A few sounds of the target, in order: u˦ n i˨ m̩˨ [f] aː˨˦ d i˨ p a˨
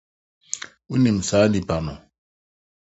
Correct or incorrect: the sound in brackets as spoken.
incorrect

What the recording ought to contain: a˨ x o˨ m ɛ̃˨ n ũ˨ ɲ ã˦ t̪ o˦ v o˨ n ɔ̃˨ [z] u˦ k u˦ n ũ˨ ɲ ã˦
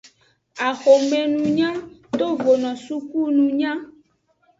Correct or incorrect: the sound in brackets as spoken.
incorrect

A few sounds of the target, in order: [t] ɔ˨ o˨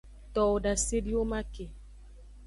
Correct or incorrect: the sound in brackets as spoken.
correct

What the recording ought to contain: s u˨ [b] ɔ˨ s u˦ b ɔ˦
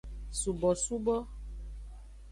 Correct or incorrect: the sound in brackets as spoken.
correct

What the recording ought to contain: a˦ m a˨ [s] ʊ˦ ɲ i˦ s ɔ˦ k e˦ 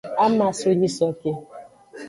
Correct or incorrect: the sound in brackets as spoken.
correct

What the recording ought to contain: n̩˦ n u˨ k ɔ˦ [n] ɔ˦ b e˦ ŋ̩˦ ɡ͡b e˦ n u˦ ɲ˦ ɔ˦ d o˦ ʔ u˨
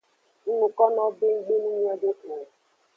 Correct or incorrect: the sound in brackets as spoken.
correct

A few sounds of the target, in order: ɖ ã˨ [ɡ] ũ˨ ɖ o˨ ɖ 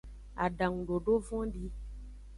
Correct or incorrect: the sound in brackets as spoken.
incorrect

